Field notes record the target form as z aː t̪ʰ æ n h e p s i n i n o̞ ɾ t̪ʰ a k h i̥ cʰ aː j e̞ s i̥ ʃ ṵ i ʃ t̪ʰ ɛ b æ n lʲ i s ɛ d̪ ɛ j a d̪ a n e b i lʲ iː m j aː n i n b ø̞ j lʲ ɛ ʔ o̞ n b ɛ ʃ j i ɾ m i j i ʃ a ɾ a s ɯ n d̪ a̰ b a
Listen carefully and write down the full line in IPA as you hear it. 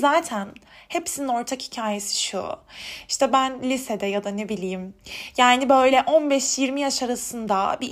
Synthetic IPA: z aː t̪ʰ æ n h e p s i n i n o̞ ɾ t̪ʰ a k h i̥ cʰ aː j e̞ s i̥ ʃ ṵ i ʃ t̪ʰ ɛ b æ n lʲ i s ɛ d̪ ɛ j a d̪ a n e b i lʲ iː m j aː n i b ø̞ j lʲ ɛ ʔ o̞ n b ɛ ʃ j i ɾ m i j a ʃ a ɾ a s ɯ n d̪ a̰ b i